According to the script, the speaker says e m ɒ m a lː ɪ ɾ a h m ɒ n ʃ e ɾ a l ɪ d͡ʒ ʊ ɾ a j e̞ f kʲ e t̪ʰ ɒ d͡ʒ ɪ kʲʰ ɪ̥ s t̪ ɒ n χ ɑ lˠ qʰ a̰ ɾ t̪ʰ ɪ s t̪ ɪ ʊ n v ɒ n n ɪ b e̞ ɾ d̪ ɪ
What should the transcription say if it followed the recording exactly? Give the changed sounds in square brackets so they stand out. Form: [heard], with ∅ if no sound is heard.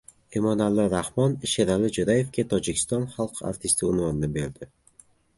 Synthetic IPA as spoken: e m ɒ [n] a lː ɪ ɾ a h m ɒ n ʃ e ɾ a l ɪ d͡ʒ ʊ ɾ a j e̞ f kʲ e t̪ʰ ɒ d͡ʒ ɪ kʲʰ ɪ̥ s t̪ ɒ n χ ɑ lˠ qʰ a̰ ɾ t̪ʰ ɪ s t̪ ɪ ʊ n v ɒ n n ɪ b e̞ ɾ d̪ ɪ